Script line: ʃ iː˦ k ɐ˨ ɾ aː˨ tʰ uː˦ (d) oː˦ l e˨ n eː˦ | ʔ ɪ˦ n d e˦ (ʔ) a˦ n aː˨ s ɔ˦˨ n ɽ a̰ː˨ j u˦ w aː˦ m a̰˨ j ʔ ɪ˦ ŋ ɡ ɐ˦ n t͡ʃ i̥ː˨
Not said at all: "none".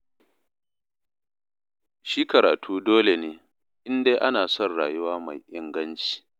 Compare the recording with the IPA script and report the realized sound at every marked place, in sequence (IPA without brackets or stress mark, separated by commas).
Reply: d, ʔ